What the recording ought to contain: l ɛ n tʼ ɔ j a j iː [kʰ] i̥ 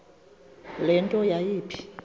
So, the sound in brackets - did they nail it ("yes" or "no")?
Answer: no